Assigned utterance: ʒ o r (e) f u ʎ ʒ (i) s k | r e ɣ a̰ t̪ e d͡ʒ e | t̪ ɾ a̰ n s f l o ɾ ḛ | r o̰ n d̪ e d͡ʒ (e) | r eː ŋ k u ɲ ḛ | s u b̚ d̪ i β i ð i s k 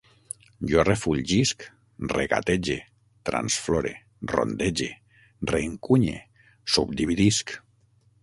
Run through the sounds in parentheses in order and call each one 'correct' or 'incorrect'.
correct, correct, correct

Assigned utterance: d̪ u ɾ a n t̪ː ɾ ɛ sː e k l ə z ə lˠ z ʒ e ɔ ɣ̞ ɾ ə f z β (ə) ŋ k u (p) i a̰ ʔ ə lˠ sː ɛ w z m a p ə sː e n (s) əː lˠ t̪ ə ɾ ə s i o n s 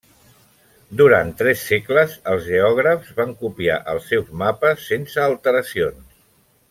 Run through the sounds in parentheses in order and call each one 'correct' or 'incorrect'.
incorrect, correct, correct

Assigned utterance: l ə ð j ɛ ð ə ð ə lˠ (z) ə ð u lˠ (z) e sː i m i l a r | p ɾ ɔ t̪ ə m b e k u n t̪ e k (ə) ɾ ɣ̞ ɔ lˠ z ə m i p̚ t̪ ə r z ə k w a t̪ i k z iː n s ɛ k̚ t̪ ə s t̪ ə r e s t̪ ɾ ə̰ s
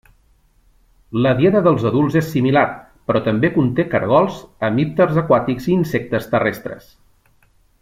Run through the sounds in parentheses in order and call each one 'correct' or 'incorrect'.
correct, correct, correct

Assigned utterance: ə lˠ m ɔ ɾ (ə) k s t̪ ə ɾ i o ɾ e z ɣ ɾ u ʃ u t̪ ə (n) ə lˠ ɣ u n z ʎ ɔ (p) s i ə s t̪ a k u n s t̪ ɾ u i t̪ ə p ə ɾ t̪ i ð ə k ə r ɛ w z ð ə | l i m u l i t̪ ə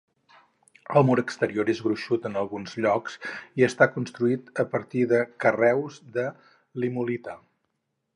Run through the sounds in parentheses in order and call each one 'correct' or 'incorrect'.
correct, correct, incorrect

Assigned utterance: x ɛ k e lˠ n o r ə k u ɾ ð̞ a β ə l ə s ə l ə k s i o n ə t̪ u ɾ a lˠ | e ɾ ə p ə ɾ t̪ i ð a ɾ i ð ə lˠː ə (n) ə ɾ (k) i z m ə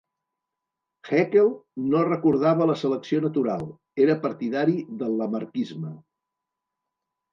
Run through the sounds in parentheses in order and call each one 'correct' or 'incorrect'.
incorrect, correct

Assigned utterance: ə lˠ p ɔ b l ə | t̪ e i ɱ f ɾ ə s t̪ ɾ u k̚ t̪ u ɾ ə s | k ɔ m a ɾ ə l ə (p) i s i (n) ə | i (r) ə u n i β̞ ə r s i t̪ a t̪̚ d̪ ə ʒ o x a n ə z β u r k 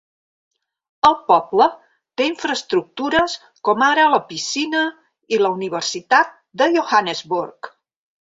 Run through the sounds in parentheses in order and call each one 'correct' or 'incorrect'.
correct, correct, incorrect

